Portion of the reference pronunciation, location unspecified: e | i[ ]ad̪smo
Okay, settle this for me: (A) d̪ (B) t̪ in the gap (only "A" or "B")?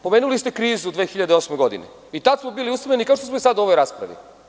B